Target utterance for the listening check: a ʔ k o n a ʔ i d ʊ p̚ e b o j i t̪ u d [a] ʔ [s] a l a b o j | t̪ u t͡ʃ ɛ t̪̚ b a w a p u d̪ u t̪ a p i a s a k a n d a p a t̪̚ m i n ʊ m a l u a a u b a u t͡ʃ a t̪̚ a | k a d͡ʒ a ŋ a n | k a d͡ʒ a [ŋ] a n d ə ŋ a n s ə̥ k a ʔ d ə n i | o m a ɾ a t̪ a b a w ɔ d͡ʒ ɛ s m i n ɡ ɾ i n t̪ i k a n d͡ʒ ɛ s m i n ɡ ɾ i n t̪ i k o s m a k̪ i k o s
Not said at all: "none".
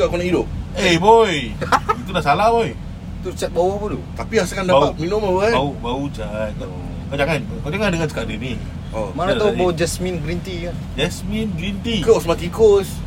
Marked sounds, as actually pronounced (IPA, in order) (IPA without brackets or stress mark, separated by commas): a, s, ŋ